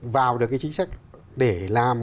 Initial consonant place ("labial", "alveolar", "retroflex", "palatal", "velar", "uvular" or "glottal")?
labial